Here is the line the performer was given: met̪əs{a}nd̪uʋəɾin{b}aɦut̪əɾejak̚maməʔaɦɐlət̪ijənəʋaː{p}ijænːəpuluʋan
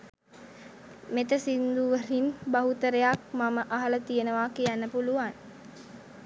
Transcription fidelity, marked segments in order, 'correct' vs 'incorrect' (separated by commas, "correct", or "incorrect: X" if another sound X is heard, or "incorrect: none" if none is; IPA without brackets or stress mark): incorrect: i, correct, incorrect: k